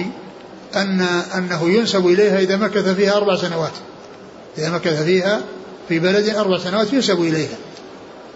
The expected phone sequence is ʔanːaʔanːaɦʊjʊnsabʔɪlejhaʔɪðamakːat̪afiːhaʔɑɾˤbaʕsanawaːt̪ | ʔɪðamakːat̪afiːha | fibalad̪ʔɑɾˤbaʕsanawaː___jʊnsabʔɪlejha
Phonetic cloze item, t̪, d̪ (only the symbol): t̪